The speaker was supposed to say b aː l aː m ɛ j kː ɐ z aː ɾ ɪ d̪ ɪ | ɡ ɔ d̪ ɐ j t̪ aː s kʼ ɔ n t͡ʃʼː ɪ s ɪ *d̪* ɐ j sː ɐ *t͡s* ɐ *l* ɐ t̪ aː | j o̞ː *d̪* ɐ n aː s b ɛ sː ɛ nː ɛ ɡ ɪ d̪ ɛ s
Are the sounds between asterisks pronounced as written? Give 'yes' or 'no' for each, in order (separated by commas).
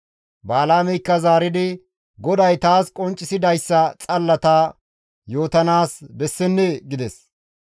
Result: yes, no, no, no